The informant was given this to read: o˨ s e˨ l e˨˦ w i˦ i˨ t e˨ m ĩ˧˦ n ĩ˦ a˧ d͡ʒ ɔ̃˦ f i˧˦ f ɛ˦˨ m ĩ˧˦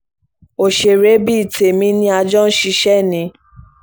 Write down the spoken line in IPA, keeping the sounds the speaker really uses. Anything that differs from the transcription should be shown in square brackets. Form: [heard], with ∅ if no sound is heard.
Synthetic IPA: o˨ [ʃ] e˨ [ɾ] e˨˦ [b] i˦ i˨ t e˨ m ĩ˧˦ n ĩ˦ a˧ d͡ʒ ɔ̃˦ [ʃ] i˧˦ [ʃ] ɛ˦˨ [n] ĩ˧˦